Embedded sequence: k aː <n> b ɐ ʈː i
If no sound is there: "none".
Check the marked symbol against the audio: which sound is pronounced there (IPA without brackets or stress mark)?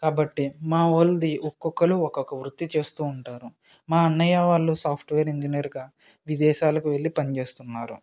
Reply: none